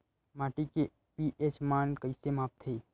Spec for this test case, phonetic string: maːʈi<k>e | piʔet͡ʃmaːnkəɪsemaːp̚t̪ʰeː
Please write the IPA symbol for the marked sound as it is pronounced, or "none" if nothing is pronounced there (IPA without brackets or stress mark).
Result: k